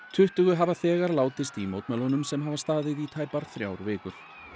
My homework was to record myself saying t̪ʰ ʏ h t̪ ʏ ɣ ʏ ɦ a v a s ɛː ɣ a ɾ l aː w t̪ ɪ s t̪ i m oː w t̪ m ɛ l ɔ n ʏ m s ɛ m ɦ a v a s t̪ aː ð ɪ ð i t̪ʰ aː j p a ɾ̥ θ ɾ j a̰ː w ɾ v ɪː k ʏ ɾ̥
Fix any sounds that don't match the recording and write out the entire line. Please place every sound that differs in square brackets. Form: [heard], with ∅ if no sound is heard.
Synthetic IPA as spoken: t̪ʰ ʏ h t̪ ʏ ɣ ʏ ɦ a v a [θ] ɛː ɣ a ɾ l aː w t̪ ɪ s t̪ i m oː w t̪ m ɛ l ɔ n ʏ m s ɛ m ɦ a v a s t̪ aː ð ɪ ð i t̪ʰ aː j p a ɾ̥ θ ɾ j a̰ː w ɾ v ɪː k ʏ ɾ̥